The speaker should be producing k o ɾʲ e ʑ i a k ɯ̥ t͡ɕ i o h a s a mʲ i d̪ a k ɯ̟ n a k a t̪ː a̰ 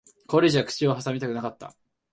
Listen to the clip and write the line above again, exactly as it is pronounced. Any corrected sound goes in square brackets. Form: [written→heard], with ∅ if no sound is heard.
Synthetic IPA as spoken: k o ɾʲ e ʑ i a k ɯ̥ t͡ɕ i o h a s a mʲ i [d̪→t̪] a k ɯ̟ n a k a t̪ː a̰